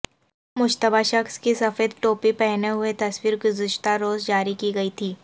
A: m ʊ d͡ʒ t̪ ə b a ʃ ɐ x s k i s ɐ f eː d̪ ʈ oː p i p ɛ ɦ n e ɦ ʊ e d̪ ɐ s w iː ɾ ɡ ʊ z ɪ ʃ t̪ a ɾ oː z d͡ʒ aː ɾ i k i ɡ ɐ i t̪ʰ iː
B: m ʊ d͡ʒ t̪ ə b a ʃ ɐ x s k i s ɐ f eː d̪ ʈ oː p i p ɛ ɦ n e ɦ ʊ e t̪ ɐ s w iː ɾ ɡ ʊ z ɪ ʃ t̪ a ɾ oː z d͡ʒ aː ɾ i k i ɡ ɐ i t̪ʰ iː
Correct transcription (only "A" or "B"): B